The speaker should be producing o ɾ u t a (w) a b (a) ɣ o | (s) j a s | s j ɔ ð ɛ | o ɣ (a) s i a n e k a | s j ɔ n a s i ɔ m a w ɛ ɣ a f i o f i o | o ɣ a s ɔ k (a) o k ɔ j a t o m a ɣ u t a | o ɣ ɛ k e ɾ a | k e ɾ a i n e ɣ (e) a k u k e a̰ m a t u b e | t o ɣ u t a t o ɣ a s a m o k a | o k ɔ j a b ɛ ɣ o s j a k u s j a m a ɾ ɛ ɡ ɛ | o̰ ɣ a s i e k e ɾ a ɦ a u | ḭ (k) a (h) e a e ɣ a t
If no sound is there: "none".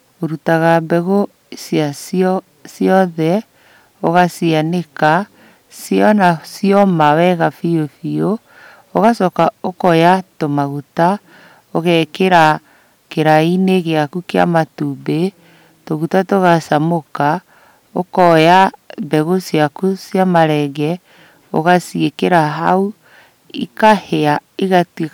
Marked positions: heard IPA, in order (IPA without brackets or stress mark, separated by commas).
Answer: ɣ, ɛ, s, a, a, e, k, h